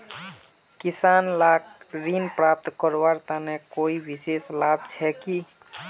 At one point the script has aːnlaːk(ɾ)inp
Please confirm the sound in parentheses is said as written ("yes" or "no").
yes